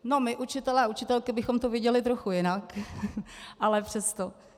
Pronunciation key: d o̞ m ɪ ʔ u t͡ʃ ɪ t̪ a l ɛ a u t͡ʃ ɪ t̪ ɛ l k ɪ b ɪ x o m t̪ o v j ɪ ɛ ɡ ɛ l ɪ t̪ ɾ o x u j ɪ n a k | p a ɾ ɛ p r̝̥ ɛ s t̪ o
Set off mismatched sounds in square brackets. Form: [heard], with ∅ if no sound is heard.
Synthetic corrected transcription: [n] o̞ m ɪ ʔ u t͡ʃ ɪ t̪ [ɛ] l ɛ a u t͡ʃ ɪ t̪ ɛ l k ɪ b ɪ x o m t̪ o v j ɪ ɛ [ɟ] ɛ l ɪ t̪ ɾ o x u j ɪ n a k | [ʔ] a [l] ɛ p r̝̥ ɛ s t̪ o